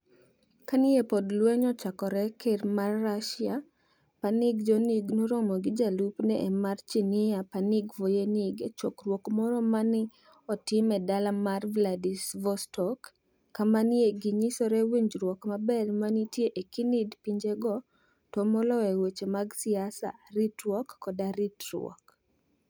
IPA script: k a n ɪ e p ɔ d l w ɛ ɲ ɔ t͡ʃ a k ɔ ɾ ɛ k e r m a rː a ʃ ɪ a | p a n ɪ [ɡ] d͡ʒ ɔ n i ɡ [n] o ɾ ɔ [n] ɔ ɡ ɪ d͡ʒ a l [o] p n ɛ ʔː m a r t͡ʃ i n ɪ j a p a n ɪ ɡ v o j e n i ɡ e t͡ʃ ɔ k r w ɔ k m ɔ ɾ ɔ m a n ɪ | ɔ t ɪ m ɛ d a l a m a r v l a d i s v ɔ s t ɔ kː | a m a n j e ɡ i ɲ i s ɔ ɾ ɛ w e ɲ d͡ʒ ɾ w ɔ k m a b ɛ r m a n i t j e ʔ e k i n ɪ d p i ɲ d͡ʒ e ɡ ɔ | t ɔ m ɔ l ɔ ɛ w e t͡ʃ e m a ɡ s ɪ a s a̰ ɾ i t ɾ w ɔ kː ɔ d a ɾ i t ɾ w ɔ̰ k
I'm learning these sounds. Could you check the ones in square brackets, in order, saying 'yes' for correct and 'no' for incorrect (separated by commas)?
yes, yes, no, no